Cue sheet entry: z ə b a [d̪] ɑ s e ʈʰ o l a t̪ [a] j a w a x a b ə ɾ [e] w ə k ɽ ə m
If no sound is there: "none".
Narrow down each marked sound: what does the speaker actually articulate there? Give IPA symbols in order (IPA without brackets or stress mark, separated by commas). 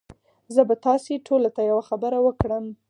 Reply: t̪, a, a